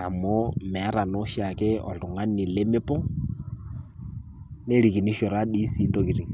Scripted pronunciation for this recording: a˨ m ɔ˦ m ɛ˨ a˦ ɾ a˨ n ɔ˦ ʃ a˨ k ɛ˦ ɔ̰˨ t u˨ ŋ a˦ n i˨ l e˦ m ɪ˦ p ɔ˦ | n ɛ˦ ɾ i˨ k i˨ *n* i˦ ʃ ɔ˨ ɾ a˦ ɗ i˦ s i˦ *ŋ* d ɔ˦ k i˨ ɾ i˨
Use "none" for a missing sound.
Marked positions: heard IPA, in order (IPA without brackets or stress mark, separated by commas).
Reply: n, n